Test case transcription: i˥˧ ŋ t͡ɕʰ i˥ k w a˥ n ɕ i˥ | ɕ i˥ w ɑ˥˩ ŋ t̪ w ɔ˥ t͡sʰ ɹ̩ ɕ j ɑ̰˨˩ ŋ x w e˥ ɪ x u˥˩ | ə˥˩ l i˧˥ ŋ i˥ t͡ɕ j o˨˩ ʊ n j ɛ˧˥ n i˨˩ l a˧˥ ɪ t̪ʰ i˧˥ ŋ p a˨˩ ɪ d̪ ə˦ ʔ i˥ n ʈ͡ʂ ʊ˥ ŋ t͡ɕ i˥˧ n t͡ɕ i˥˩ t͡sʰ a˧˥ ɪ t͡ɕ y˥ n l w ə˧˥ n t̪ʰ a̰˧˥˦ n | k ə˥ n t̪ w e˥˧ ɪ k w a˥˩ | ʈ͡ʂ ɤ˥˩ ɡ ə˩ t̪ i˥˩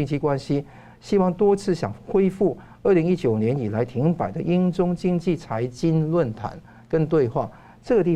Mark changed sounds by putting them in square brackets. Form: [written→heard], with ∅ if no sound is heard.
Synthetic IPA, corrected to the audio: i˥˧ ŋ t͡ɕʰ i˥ k w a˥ n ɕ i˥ | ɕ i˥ w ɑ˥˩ ŋ t̪ w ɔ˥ t͡sʰ ɹ̩ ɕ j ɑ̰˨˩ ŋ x w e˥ ɪ [x→f] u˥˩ | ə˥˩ l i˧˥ ŋ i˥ t͡ɕ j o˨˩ ʊ n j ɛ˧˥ n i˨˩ l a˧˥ ɪ t̪ʰ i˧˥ ŋ p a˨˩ ɪ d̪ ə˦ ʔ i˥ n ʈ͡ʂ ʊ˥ ŋ t͡ɕ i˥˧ [n→ŋ] t͡ɕ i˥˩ t͡sʰ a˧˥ ɪ t͡ɕ [y˥→i˥] n l w [ə˧˥→ə˥˩] n t̪ʰ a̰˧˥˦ n | k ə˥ n t̪ w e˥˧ ɪ [k→x] w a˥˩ | ʈ͡ʂ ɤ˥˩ ɡ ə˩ t̪ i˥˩